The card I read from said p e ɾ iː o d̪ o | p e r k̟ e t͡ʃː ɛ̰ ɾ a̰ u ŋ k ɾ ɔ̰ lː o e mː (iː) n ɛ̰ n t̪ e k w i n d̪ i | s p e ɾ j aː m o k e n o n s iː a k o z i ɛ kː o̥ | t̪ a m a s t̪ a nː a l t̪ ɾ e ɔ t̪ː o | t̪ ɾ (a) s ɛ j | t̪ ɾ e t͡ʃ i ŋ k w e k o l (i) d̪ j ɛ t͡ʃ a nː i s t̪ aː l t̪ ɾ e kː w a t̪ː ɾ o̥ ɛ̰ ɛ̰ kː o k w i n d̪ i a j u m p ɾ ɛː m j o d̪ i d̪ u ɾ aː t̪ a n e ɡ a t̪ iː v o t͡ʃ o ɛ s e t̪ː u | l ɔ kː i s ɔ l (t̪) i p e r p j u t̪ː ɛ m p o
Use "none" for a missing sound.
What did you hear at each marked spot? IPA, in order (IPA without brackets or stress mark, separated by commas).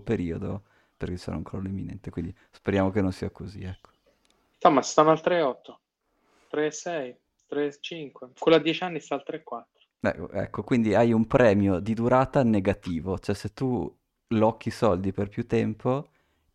i, e, a, d̪